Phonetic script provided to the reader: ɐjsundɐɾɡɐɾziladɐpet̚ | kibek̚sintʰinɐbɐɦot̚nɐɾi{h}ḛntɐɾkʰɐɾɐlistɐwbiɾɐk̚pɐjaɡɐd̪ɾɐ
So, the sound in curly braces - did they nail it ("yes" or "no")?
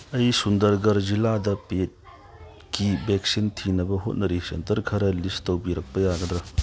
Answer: no